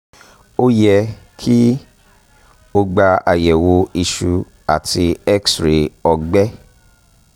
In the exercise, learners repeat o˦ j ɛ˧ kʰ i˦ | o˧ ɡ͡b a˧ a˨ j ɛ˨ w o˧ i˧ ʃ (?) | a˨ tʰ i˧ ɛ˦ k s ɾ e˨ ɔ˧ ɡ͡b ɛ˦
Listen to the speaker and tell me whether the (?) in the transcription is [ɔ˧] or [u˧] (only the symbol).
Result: u˧